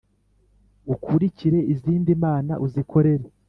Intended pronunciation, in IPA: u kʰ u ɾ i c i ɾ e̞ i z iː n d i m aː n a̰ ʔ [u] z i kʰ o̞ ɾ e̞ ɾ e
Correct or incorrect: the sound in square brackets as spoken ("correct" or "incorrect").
correct